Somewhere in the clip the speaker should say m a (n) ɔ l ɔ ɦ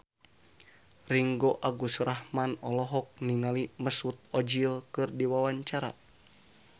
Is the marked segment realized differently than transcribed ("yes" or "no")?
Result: no